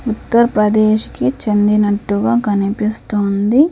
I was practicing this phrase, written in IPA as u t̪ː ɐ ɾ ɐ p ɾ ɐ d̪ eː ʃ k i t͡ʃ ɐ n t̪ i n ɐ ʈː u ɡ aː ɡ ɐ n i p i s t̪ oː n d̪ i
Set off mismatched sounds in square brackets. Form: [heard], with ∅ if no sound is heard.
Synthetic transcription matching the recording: u t̪ː ɐ ɾ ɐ p ɾ ɐ d̪ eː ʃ k i t͡ʃ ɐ n [d̪] i n ɐ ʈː u ɡ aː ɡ ɐ n i p i s t̪ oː n d̪ i